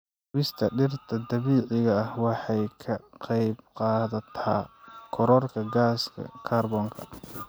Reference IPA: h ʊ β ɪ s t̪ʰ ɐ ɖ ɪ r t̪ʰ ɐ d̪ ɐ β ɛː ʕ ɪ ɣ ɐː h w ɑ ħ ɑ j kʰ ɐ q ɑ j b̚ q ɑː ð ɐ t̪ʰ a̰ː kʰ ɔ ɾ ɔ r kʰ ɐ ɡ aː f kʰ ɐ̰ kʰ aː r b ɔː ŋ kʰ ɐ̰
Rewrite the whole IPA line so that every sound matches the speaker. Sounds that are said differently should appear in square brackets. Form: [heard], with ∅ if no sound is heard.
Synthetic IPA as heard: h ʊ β ɪ s t̪ʰ ɐ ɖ ɪ r t̪ʰ ɐ d̪ ɐ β [iː] ʕ ɪ ɣ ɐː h w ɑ ħ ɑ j kʰ ɐ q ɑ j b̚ q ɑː ð ɐ t̪ʰ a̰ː kʰ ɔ ɾ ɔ r kʰ ɐ ɡ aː [s] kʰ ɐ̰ kʰ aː r b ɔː ŋ kʰ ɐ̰

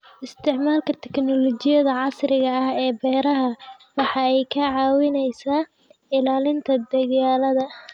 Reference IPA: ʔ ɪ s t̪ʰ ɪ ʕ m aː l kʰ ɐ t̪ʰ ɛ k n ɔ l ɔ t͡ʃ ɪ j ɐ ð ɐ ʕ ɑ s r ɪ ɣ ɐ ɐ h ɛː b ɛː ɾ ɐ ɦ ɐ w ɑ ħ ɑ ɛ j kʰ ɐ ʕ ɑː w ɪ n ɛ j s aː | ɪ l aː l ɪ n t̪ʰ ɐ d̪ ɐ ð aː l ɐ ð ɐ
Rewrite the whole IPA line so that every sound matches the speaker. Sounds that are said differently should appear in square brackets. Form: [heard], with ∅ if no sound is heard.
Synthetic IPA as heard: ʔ ɪ s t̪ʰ ɪ ʕ m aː l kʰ ɐ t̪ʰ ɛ k n ɔ l ɔ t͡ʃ ɪ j ɐ ð ɐ ʕ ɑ s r ɪ ɣ ɐ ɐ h ɛː b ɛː ɾ ɐ ɦ ɐ w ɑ ħ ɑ ɛ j kʰ ɐ ʕ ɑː w ɪ n ɛ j s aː | ɪ l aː l ɪ n t̪ʰ ɐ d̪ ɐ [ɣ] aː l ɐ ð ɐ

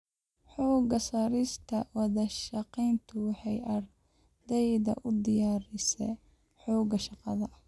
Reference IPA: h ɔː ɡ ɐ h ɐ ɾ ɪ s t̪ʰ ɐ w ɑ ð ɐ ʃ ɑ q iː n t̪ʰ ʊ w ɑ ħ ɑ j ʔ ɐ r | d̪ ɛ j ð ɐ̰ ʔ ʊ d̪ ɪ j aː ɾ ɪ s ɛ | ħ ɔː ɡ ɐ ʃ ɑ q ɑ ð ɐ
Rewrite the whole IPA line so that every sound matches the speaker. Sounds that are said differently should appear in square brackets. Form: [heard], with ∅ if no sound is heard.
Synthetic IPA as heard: [ħ] ɔː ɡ ɐ [s] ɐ ɾ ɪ s t̪ʰ ɐ w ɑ ð ɐ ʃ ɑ q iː n t̪ʰ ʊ w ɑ ħ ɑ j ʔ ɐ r | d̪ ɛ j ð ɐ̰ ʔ ʊ d̪ ɪ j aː ɾ ɪ s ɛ | ħ ɔː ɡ ɐ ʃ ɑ q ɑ ð ɐ

